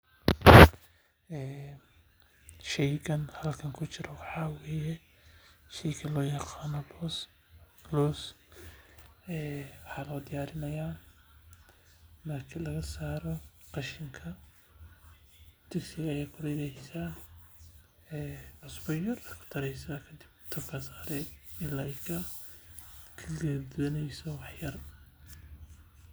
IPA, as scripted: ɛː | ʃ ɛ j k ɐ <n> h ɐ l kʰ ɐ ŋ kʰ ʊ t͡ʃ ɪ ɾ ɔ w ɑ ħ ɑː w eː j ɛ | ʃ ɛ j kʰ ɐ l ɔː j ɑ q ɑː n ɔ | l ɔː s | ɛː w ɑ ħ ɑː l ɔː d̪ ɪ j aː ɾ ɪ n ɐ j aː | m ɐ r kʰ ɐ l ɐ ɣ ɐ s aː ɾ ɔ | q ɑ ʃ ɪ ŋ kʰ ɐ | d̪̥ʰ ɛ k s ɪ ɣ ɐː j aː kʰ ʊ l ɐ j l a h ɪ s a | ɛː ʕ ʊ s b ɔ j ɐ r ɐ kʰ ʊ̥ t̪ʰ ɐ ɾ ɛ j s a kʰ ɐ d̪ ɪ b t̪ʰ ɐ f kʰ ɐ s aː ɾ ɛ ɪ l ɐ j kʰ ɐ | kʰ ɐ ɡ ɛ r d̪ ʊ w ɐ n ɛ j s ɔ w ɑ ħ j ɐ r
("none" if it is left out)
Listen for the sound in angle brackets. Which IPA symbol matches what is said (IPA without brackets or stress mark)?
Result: n